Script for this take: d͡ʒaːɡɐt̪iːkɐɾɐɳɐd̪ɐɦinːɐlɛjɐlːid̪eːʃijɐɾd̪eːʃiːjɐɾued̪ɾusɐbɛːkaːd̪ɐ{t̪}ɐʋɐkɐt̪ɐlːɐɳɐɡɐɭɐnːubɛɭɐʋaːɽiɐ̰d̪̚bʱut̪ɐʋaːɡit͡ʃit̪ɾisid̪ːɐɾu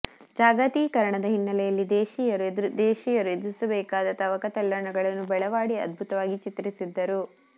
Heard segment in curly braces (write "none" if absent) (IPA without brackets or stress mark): t̪